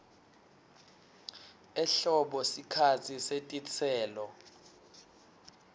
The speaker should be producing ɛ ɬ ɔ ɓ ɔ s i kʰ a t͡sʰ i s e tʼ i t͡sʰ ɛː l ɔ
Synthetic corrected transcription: ɛ ɬ ɔ ɓ ɔ s i kʰ a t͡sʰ i s e tʼ i t͡sʰ ɛː l ɔ